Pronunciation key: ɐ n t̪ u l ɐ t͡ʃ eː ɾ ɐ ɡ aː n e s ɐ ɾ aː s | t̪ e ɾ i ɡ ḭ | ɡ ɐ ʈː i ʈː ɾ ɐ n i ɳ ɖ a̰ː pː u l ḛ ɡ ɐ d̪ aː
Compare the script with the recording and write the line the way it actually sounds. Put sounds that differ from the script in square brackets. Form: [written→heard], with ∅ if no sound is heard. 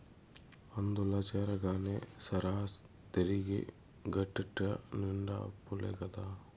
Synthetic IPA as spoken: ɐ n [t̪→d̪] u l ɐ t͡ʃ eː ɾ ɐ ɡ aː n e s ɐ ɾ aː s | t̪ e ɾ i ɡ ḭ | ɡ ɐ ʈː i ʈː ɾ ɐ n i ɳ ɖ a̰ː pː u l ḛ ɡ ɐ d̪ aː